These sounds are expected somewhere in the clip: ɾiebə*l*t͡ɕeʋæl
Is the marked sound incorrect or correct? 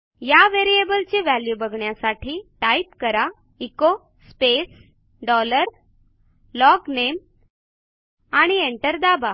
correct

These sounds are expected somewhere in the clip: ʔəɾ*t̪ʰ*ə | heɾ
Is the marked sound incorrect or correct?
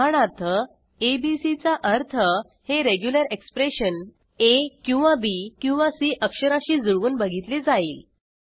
correct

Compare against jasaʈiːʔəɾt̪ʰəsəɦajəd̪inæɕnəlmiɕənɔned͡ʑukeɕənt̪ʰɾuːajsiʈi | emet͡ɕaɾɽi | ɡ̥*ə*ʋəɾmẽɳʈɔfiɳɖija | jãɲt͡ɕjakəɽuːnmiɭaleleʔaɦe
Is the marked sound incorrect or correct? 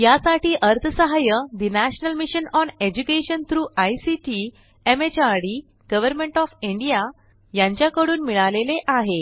correct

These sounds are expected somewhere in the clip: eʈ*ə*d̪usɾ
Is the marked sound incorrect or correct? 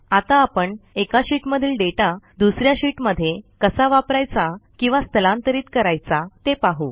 incorrect: a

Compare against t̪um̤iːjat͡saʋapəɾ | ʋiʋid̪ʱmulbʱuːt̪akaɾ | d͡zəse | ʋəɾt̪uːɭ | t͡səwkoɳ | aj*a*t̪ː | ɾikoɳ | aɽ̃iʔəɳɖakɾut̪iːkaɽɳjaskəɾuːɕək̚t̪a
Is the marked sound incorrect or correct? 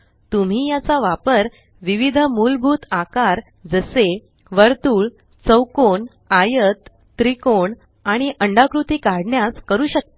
incorrect: ə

